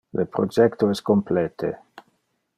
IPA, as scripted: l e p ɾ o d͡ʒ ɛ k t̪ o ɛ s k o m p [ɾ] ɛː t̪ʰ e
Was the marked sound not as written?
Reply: yes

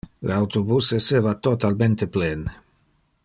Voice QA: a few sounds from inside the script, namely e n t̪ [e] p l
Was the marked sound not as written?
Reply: no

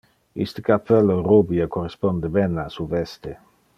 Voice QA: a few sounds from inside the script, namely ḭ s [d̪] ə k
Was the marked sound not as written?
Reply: yes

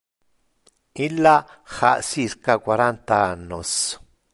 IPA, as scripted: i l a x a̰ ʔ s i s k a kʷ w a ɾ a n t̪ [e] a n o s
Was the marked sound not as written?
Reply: yes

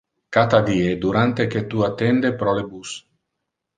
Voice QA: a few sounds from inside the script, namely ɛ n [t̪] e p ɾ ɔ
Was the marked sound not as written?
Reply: yes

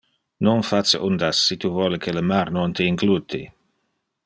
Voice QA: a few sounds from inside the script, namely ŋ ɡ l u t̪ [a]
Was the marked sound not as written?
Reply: yes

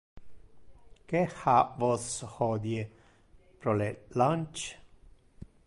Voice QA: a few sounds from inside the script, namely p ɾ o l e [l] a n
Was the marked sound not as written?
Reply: no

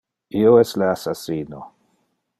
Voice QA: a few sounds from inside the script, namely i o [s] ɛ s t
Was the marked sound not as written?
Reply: yes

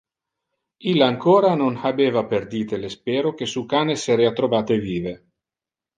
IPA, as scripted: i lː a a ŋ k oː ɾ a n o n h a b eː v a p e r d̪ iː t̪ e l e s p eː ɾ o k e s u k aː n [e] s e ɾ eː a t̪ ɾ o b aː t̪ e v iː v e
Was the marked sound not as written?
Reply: no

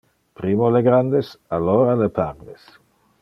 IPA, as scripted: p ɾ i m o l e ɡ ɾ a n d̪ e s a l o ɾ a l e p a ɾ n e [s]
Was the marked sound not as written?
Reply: no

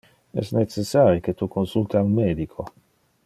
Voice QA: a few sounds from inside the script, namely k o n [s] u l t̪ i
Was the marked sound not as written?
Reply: no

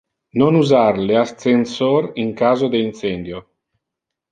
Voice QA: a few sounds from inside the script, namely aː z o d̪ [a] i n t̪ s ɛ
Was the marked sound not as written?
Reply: yes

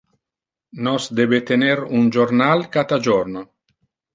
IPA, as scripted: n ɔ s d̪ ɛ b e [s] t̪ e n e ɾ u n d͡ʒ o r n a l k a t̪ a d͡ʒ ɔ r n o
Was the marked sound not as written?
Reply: yes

